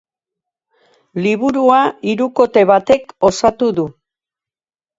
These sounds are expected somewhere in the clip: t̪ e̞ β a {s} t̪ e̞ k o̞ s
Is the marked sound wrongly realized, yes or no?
yes